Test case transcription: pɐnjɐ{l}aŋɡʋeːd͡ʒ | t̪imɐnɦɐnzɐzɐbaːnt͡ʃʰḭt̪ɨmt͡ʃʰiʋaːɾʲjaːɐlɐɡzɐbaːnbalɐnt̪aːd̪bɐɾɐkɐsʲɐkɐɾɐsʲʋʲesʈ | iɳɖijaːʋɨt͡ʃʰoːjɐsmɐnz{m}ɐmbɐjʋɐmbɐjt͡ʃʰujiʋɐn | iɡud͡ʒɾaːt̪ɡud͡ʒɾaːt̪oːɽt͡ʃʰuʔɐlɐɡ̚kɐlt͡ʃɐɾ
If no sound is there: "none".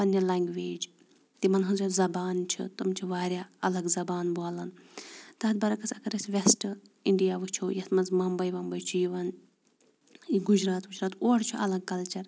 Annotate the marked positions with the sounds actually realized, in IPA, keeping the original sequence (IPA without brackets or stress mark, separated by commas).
l, m